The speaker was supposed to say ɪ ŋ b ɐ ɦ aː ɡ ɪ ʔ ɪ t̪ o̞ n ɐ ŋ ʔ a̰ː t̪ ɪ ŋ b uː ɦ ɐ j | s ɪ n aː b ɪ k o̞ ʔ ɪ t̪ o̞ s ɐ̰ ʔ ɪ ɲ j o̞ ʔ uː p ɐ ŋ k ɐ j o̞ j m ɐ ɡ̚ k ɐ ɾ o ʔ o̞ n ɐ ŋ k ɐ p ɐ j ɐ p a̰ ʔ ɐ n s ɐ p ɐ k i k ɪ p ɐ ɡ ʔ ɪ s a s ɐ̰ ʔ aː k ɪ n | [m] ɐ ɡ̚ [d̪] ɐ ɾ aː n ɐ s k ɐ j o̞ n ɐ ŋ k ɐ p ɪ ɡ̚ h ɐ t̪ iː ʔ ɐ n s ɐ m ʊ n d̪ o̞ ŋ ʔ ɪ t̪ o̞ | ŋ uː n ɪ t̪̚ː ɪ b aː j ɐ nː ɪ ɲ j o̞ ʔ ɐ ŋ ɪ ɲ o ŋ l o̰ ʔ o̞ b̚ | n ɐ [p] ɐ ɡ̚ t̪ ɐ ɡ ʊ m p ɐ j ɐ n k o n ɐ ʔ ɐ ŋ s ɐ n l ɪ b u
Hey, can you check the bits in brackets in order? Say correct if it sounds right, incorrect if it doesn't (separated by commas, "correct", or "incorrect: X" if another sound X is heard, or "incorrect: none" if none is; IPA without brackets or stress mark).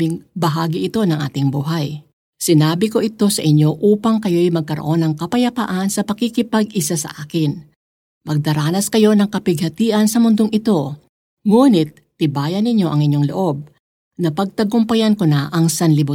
correct, correct, correct